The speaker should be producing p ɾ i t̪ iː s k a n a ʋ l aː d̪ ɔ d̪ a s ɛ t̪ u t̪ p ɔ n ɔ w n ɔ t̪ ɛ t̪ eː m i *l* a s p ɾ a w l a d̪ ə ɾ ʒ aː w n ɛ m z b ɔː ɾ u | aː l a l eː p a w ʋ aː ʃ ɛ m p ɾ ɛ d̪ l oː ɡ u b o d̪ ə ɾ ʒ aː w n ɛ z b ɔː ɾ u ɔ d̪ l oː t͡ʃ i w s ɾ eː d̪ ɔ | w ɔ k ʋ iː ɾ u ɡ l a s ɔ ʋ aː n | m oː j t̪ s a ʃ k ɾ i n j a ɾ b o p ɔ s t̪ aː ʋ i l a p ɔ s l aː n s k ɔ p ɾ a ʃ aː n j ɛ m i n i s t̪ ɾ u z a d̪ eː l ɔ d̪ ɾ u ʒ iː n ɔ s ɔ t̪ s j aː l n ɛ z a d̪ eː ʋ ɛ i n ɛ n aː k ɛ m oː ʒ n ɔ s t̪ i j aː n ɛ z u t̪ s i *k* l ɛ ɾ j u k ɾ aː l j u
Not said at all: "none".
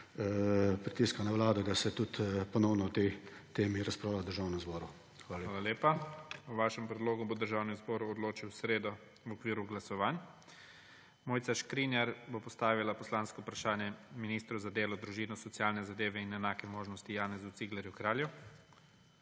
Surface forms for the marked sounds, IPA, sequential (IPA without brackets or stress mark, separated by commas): ɾ, ɡ